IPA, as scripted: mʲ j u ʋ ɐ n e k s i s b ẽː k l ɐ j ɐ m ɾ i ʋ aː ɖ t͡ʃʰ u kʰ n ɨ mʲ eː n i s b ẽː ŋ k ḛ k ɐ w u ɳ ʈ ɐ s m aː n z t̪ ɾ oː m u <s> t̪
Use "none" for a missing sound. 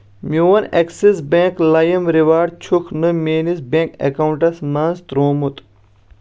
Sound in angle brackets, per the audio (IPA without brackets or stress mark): none